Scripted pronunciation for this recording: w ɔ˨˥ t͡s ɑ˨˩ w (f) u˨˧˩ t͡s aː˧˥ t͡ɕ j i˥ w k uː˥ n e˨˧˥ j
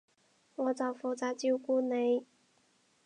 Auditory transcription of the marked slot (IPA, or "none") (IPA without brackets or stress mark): f